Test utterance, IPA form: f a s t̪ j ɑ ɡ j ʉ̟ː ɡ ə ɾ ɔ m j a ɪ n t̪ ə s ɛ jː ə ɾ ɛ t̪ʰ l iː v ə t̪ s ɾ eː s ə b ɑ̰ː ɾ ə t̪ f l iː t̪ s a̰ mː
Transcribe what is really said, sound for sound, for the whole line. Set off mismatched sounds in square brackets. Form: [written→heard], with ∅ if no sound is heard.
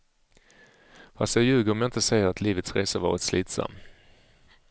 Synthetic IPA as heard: f a s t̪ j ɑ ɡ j ʉ̟ː ɡ ə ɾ ɔ m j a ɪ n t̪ ə s ɛ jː ə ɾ [ɛ→a] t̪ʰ l iː v ə t̪ s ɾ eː s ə [b→v] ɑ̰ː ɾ ə t̪ [f→s] l iː t̪ s a̰ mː